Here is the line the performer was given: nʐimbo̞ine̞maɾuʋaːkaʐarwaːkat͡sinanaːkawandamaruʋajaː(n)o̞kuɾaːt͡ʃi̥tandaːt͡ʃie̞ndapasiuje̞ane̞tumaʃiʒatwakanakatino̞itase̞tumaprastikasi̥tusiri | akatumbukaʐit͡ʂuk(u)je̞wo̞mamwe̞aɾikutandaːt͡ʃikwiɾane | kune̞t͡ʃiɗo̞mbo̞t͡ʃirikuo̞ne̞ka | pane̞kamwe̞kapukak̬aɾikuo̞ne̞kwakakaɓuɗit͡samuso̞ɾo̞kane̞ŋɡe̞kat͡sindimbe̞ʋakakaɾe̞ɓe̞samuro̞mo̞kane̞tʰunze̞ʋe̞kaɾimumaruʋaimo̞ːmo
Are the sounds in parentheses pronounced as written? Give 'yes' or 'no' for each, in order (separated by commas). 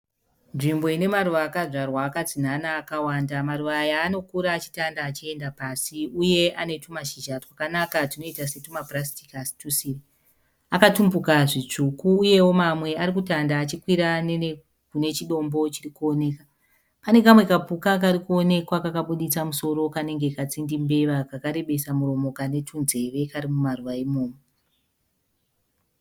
yes, no